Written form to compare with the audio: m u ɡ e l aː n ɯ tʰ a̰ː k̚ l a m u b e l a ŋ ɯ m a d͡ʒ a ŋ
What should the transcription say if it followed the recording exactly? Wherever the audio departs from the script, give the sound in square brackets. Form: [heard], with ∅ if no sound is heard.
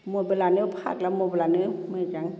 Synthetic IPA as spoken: m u [b] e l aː n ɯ [pʰ] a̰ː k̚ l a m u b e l a [n] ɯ m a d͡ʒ a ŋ